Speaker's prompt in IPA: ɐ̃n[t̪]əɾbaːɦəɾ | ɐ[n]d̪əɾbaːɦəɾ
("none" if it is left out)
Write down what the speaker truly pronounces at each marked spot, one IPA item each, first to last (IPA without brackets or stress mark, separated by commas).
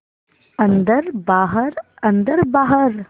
d̪, n